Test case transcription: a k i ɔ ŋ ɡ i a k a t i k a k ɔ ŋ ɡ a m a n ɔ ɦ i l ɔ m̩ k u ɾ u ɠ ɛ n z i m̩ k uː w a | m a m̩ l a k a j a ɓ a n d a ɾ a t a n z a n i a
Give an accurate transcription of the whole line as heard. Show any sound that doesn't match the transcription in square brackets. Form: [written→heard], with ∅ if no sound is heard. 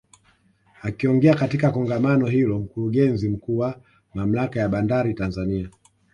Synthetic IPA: a k i ɔ ŋ ɡ [i→ɛ] a k a t i k a k ɔ ŋ ɡ a m a n ɔ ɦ i l ɔ m̩ k u ɾ u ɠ ɛ n z i m̩ k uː w a | m a m̩ l a k a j a ɓ a n d a ɾ [a→i] t a n z a n i a